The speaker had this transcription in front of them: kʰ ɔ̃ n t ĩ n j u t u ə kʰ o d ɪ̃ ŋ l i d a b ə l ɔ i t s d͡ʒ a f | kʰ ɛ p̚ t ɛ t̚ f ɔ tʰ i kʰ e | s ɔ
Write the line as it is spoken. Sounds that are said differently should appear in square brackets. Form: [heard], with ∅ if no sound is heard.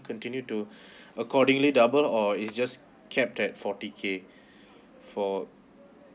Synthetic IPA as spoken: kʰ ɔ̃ n t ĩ n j u t u ə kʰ [ɔ] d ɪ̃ ŋ l i d a b ə l ɔ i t s d͡ʒ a [s] | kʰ ɛ p̚ t ɛ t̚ f ɔ [t] i kʰ e | [f] ɔ